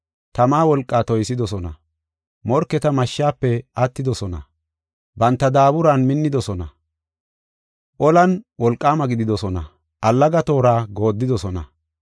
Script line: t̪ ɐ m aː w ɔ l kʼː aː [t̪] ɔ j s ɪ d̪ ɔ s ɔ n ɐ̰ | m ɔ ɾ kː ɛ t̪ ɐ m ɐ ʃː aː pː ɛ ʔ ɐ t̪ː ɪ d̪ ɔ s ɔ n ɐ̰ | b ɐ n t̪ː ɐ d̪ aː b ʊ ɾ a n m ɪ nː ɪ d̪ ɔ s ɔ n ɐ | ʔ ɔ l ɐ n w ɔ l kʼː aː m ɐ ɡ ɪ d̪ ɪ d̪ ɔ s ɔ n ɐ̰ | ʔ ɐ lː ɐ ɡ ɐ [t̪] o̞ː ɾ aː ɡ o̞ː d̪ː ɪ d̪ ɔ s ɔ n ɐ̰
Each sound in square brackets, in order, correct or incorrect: correct, correct

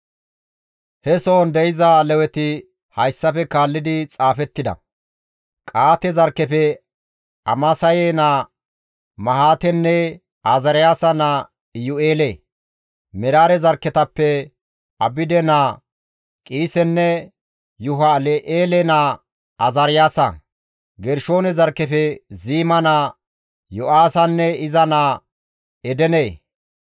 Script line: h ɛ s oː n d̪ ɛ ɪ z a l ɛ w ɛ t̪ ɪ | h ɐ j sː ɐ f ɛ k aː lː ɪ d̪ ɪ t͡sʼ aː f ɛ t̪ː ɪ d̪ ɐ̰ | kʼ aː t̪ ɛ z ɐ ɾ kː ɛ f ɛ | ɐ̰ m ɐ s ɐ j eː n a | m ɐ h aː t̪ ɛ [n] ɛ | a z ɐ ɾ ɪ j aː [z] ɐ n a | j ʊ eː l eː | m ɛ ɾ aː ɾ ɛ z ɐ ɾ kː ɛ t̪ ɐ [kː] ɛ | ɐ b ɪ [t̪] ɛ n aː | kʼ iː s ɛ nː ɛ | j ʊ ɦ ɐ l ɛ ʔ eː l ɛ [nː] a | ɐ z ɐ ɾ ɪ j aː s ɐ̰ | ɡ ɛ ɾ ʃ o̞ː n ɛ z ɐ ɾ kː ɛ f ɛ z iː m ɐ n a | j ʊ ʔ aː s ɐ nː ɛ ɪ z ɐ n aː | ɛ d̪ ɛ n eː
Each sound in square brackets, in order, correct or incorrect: incorrect, incorrect, incorrect, incorrect, incorrect

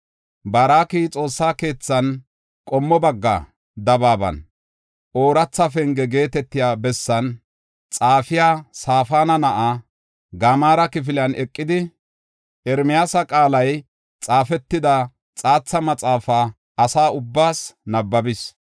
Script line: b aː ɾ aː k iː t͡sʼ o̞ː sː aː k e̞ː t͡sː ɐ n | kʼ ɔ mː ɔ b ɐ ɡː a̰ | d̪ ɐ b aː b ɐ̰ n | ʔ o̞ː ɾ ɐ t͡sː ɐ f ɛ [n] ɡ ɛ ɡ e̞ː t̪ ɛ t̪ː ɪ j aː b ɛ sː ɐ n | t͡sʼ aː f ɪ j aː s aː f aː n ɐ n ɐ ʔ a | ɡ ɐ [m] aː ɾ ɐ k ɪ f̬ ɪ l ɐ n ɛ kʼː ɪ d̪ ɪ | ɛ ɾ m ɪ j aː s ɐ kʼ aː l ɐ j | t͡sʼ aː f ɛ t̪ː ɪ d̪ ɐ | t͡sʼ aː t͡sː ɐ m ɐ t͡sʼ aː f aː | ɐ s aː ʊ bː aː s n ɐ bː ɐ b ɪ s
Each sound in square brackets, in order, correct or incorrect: incorrect, correct

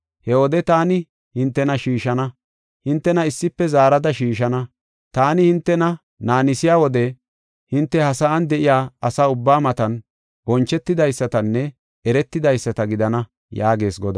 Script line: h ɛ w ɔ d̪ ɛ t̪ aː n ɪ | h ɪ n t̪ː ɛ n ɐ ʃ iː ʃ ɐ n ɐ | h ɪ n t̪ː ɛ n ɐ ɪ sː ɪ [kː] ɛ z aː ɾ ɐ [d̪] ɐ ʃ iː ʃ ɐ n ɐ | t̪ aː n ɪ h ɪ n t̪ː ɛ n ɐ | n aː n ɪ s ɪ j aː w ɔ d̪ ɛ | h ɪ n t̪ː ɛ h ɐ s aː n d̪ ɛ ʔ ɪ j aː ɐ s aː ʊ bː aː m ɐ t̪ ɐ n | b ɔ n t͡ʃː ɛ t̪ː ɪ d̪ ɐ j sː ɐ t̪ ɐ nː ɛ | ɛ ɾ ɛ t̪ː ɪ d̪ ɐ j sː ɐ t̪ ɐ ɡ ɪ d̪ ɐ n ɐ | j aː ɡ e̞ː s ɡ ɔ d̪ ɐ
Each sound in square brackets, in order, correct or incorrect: incorrect, correct

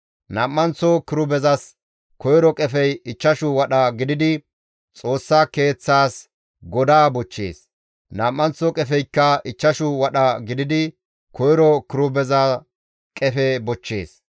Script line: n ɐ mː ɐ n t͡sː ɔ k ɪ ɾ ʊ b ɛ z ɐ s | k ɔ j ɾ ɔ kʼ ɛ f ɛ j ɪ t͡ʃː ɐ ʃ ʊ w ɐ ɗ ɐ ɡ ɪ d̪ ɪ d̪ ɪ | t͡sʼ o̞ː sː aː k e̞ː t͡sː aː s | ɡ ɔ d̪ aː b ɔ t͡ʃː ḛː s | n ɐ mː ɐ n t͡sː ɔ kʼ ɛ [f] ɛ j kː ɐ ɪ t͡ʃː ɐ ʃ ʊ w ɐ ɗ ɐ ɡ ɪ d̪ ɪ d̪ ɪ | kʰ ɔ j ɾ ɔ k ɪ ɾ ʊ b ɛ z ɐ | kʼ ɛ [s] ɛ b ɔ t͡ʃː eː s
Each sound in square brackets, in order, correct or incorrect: correct, incorrect

